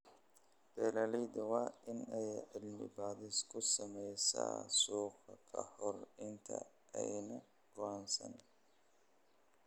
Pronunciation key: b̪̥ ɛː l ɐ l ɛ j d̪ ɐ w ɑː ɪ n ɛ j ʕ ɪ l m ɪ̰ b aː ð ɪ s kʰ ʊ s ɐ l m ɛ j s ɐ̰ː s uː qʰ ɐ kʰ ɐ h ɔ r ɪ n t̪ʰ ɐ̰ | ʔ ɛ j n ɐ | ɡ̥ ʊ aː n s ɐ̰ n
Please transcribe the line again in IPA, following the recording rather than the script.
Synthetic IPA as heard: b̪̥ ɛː l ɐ l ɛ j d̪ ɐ w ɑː ɪ n ɛ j ʕ ɪ l m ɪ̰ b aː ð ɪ s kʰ ʊ s ɐ m ɛ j s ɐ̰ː s uː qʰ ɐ kʰ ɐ h ɔ r ɪ n t̪ʰ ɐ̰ | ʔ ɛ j n ɐ | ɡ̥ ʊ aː n s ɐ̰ n